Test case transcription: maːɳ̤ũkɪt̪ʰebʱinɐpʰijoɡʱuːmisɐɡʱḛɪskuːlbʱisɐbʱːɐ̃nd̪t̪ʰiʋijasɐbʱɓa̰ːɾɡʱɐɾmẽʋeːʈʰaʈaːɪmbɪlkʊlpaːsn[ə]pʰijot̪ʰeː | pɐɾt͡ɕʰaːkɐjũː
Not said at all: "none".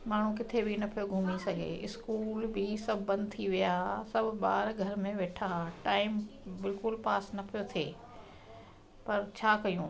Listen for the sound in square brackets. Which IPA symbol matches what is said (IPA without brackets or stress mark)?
ɐ